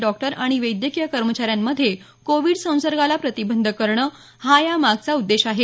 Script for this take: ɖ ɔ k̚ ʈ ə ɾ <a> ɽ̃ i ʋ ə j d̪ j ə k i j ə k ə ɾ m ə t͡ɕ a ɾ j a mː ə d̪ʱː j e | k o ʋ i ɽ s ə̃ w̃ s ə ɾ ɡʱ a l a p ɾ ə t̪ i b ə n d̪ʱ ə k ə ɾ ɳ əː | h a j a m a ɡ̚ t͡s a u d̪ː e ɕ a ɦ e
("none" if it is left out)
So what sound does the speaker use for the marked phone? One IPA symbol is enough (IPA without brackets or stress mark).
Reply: a